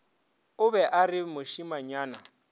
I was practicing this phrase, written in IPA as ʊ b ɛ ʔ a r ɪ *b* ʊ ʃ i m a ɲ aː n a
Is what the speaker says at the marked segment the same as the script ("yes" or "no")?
no